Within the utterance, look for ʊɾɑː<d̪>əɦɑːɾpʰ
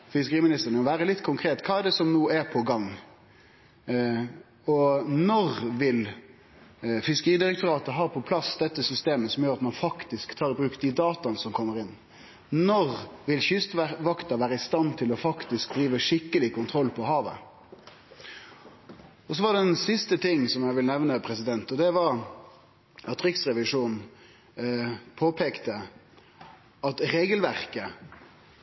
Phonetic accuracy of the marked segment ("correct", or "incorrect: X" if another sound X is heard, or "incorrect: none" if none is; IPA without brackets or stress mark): incorrect: t̪